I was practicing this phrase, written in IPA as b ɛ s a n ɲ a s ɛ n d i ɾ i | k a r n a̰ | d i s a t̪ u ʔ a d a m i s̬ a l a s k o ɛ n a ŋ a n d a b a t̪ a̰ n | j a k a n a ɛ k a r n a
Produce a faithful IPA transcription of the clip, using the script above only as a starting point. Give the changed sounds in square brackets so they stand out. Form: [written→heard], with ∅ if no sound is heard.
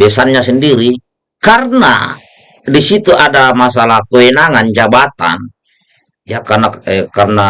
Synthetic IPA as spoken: b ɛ s a n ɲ a s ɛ n d i ɾ i | k a r n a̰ | d i s [a→i] t̪ u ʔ a d a m [i→a] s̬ a l a [s→h] k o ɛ n a ŋ a n [d→d͡ʒ] a b a t̪ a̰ n | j a k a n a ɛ k a r n a